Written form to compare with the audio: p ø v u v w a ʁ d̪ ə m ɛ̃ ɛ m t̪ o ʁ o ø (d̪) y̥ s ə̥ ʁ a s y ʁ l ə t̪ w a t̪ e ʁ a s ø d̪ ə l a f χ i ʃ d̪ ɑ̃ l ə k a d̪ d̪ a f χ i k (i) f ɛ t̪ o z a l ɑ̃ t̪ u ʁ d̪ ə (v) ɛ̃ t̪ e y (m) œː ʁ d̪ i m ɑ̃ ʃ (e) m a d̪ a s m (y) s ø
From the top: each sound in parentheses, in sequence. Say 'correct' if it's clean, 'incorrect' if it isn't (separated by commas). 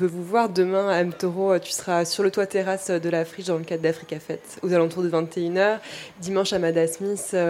incorrect, incorrect, correct, incorrect, incorrect, incorrect